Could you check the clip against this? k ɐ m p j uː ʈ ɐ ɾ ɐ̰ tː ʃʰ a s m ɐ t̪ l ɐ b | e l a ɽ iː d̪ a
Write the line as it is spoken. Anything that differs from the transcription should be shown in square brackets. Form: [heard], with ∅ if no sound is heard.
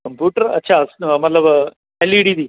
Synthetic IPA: k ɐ m p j uː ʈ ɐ ɾ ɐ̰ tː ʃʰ a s m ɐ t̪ l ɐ b | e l [i] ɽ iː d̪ [i]